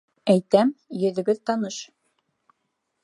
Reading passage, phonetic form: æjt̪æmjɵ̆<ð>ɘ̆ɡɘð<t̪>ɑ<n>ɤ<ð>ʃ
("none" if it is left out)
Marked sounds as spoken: ð, t̪, n, none

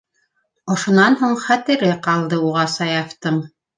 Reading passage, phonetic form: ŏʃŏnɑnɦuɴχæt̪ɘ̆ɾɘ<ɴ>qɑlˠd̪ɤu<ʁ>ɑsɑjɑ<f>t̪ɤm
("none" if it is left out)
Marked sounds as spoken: none, ʁ, f

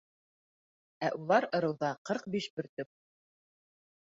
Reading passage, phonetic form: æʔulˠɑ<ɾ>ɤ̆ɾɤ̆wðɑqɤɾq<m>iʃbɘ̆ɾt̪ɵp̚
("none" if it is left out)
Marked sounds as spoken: ɾ, b

